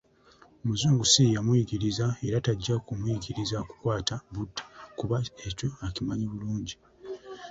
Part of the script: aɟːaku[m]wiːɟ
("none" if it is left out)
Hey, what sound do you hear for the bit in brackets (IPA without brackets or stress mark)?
m